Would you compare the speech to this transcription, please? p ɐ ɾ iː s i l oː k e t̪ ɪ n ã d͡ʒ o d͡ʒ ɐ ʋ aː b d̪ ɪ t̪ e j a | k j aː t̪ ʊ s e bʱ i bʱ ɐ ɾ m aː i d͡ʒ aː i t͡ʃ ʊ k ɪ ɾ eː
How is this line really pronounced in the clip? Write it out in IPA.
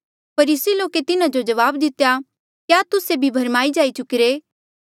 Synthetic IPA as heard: p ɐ ɾ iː s i l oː k e t̪ ɪ n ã d͡ʒ o d͡ʒ ɐ ʋ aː b d̪ ɪ t̪ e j a | k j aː t̪ ʊ s e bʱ i bʱ ɐ ɾ m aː i d͡ʒ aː i t͡ʃ ʊ k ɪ ɾ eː